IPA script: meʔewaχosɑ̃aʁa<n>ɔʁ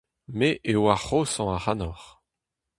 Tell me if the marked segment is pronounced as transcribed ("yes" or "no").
yes